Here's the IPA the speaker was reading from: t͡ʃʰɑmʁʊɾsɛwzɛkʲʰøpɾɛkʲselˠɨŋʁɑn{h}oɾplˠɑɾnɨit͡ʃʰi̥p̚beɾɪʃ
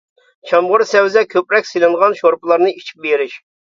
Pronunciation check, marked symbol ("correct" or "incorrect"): incorrect